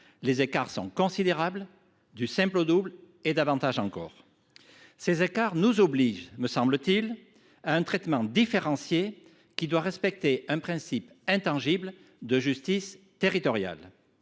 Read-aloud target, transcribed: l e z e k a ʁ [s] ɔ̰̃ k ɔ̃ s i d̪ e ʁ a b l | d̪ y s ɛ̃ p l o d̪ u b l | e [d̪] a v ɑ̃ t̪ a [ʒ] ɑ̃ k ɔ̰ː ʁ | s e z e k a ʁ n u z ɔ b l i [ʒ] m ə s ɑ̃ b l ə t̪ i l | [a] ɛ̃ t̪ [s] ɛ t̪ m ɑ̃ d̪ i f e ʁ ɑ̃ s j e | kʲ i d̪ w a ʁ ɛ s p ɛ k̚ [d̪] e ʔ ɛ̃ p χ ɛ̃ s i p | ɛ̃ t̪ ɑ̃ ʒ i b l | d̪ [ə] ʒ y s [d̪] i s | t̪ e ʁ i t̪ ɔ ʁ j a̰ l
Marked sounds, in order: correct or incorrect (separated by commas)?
correct, correct, correct, correct, correct, incorrect, incorrect, correct, incorrect